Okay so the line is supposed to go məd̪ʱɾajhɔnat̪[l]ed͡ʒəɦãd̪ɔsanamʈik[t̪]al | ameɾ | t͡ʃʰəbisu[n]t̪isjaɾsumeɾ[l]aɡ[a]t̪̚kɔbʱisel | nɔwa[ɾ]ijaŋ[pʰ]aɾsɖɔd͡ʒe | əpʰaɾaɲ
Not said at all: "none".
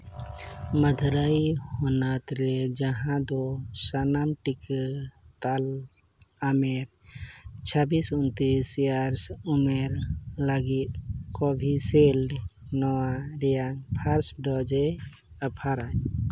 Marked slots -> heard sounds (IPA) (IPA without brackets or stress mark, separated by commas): ɾ, t̪, n, l, i, ɾ, pʰ